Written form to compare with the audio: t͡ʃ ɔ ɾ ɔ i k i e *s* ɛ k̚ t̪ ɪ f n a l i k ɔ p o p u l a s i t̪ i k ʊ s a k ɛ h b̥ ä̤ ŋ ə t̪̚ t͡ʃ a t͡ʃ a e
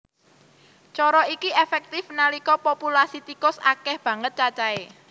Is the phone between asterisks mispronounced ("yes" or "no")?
yes